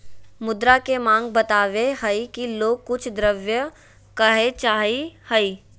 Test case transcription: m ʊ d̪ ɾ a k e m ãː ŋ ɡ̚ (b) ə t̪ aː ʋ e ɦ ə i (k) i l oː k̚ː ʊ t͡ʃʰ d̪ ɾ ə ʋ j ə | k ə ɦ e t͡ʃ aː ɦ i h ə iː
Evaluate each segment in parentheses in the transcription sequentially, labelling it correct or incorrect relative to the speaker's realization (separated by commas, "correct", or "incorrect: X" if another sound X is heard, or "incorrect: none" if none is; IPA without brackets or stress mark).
correct, correct